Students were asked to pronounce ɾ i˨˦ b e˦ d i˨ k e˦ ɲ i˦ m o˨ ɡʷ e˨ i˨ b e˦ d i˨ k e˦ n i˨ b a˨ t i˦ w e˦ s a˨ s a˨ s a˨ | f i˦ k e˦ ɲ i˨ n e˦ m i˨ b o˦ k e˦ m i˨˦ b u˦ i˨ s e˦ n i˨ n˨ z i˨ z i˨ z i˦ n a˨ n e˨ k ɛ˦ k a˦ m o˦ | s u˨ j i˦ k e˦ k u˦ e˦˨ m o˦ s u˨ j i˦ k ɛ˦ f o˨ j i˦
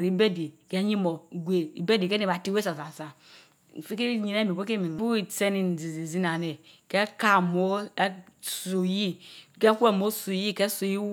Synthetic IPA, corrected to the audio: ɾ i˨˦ b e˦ d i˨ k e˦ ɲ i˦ m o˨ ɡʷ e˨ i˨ b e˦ d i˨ k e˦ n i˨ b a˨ t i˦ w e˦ s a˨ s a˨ s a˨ | f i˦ k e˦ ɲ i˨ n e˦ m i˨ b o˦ k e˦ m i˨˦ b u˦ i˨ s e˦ n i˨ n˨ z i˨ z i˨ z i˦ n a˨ n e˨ k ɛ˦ k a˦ m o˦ | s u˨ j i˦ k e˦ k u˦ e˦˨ m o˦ s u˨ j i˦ k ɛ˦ s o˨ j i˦

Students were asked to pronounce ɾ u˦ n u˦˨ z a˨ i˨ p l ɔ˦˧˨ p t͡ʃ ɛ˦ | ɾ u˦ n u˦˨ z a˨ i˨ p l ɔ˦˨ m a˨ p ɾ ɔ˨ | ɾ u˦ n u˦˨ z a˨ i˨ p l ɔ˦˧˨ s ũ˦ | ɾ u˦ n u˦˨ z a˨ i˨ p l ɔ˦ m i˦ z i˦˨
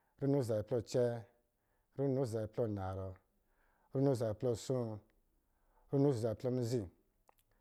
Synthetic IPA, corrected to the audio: ɾ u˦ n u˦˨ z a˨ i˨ p l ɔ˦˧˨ t͡ʃ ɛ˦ | ɾ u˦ n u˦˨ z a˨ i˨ p l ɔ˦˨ n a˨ ɾ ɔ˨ | ɾ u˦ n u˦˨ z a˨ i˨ p l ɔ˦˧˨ s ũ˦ | ɾ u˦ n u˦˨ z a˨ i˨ p l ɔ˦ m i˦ z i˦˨

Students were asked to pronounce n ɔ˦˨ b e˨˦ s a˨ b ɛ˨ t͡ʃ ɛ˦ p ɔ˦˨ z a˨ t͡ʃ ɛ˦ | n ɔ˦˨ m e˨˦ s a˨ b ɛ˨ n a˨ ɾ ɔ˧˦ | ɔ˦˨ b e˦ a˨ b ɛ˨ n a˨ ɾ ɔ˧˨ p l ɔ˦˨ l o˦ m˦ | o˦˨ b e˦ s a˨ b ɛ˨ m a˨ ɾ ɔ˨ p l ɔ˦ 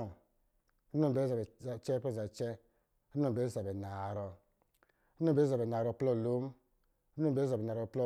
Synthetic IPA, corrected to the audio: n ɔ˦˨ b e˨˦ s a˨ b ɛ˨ t͡ʃ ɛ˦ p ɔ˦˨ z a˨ t͡ʃ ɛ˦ | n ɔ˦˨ b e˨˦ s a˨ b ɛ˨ n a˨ ɾ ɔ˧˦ | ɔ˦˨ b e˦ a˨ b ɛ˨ n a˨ ɾ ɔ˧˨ p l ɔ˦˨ l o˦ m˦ | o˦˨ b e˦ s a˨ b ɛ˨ n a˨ ɾ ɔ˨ p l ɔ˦

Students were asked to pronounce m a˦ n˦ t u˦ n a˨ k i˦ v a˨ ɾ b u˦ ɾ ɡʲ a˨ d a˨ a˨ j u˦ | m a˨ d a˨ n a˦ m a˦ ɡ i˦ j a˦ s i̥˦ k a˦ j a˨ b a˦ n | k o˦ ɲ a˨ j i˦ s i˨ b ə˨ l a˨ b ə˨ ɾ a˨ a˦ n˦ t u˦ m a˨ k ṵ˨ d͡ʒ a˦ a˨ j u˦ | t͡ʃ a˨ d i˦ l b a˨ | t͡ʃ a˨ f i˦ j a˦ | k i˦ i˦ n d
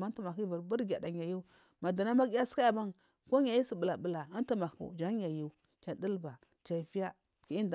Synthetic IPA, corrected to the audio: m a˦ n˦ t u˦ m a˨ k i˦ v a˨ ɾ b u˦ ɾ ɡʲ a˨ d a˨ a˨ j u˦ | m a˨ d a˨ n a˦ m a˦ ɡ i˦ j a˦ s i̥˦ k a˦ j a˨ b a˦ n | k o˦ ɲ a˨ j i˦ s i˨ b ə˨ l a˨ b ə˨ l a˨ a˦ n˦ t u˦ m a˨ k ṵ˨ d͡ʒ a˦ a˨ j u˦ | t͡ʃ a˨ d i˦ l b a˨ | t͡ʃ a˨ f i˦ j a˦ | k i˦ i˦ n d

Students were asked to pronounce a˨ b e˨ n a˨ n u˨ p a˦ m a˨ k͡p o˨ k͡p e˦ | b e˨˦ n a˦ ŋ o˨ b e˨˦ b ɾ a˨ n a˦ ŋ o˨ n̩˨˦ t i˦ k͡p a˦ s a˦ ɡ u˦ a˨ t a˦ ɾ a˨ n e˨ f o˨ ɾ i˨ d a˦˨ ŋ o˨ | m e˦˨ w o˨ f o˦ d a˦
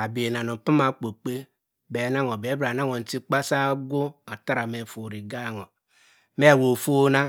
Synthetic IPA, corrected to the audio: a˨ b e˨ n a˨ n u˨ p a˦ m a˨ k͡p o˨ k͡p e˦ | b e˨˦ n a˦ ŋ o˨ b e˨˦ b ɾ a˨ n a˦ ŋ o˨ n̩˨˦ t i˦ k͡p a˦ s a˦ ɡ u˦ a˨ t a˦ ɾ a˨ m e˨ f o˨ ɾ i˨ ɡ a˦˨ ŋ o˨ | m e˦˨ w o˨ f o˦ n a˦

